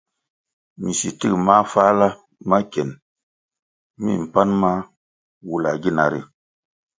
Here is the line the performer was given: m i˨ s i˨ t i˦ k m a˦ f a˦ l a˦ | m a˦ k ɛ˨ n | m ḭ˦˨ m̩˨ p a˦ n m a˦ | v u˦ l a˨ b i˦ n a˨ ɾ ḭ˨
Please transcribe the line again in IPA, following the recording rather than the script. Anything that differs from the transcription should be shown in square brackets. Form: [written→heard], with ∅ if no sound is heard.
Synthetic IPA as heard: m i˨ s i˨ t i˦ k m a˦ f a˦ l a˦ | m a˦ k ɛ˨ n | m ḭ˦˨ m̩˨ p a˦ n m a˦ | [v→w] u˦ l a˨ [b→ɡ] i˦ n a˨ ɾ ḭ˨